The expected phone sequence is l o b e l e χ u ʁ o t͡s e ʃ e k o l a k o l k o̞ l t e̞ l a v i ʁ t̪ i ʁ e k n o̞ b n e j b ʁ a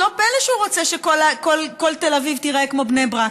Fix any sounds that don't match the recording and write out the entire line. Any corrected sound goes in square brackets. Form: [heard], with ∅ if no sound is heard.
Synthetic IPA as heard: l o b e l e [ʃ] u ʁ o t͡s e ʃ e k o l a k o l k o̞ l t e̞ l a v i [v] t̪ i ʁ e k [m] o̞ b n e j b ʁ a